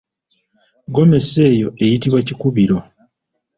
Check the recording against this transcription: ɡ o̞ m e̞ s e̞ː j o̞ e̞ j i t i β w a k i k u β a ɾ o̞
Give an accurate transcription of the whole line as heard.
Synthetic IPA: ɡ o̞ m e̞ s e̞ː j o̞ e̞ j i t i β w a c i k u β i ɾ o̞